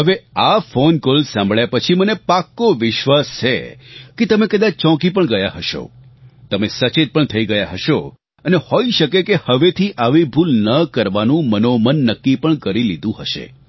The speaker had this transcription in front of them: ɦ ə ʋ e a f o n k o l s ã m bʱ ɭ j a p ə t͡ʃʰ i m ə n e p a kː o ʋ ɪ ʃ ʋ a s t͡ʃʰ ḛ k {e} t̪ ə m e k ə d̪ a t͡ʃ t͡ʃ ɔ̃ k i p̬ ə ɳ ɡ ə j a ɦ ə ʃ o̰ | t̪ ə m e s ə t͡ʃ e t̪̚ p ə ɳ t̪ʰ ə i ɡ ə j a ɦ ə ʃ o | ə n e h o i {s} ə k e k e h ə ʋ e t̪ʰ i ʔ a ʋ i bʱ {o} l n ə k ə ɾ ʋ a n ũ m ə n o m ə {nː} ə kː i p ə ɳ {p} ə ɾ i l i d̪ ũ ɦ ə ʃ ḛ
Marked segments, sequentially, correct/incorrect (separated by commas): correct, incorrect, incorrect, correct, incorrect